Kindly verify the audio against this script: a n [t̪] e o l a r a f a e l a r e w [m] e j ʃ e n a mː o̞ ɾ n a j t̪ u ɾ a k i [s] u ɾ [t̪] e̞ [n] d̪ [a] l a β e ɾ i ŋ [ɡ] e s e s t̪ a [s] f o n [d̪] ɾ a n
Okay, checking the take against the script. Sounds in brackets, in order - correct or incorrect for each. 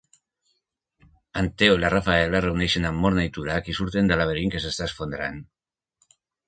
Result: correct, incorrect: n, correct, correct, correct, correct, incorrect: k, correct, correct

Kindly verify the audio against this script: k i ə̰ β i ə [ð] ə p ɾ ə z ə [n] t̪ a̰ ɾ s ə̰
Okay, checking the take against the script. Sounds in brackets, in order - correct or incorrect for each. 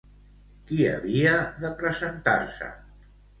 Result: correct, correct

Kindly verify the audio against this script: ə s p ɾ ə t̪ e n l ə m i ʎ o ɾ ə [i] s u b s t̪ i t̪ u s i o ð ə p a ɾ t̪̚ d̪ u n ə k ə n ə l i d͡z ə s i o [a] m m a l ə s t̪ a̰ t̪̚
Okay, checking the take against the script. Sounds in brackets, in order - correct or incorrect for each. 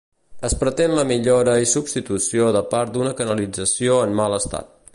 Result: correct, incorrect: ə

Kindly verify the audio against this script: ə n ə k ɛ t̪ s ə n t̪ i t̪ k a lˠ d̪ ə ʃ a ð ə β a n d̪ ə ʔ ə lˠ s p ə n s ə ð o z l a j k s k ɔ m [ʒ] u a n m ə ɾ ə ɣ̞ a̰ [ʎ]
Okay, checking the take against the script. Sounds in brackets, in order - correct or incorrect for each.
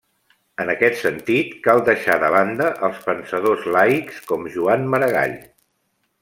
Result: correct, correct

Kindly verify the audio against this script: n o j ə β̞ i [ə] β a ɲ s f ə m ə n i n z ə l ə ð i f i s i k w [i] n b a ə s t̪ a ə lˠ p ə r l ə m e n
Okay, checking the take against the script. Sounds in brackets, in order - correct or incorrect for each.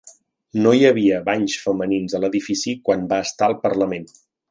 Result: correct, incorrect: a

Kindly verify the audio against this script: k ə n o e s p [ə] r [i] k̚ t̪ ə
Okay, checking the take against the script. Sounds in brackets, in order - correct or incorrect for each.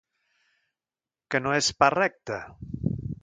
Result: incorrect: a, incorrect: ɛ

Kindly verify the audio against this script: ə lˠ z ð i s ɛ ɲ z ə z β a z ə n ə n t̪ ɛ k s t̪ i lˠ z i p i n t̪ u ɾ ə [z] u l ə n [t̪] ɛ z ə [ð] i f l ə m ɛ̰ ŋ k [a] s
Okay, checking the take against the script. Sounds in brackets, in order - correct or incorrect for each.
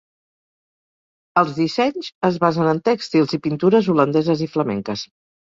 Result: correct, incorrect: d̪, incorrect: z, incorrect: ə

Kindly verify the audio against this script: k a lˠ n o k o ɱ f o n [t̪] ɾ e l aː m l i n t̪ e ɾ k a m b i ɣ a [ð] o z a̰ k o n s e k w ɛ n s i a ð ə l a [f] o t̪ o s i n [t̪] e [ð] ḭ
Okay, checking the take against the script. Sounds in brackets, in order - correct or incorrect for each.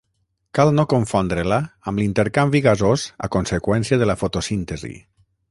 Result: incorrect: d̪, incorrect: z, correct, correct, incorrect: z

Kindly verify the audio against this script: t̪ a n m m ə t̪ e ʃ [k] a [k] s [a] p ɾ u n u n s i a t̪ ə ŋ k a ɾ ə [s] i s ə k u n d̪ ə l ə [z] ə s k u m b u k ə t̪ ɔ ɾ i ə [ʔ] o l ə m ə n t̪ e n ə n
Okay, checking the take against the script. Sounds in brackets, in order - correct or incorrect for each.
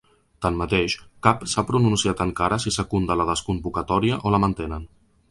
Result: correct, incorrect: p, correct, correct, incorrect: ð, correct

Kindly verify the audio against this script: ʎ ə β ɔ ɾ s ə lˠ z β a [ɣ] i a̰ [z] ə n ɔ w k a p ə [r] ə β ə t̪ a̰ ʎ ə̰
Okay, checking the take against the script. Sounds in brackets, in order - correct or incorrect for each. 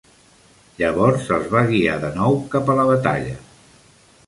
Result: correct, incorrect: ð, incorrect: l

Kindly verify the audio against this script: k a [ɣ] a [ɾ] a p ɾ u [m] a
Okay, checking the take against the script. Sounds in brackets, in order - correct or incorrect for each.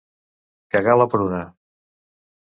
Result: correct, incorrect: l, incorrect: n

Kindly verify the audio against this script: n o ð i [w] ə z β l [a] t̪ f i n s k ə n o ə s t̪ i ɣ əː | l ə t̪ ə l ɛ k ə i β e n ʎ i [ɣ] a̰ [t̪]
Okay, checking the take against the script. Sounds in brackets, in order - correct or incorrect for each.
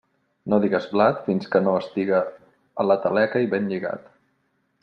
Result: incorrect: ɣ, correct, correct, correct

